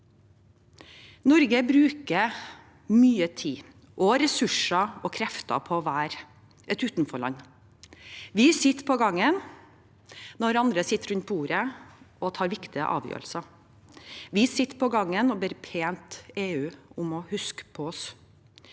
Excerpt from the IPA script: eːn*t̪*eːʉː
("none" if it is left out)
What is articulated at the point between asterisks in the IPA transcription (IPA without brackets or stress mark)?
t̪